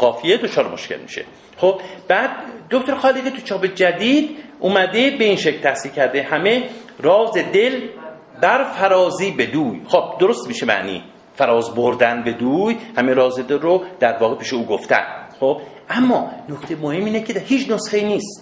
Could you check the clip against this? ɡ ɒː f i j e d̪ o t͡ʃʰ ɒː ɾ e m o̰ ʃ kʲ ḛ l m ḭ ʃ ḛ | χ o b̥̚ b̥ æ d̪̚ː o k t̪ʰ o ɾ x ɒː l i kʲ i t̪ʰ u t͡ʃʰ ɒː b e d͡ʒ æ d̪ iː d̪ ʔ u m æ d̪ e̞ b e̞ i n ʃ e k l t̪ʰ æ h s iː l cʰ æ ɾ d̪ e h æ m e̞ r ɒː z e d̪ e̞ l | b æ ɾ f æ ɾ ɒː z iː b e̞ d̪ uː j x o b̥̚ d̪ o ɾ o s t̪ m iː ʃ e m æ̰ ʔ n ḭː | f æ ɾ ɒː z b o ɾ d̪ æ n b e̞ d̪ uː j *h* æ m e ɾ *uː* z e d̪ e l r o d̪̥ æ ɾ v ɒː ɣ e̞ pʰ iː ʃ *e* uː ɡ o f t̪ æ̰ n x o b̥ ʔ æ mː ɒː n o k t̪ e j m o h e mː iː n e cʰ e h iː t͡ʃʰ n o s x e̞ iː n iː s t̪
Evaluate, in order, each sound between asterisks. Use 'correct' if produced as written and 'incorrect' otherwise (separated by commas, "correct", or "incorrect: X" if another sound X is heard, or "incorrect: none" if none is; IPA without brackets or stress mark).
correct, incorrect: ɒː, correct